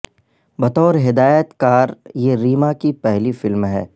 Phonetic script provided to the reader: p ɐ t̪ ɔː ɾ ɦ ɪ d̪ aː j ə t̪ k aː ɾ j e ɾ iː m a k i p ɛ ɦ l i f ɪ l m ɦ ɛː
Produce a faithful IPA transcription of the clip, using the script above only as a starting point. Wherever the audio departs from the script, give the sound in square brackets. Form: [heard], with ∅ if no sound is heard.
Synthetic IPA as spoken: [b] ɐ t̪ ɔː ɾ ɦ ɪ d̪ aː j ə t̪ k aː ɾ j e ɾ iː m a k i p ɛ ɦ l i f ɪ l m ɦ ɛː